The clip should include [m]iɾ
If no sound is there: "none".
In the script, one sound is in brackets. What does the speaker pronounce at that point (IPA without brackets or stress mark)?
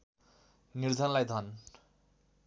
n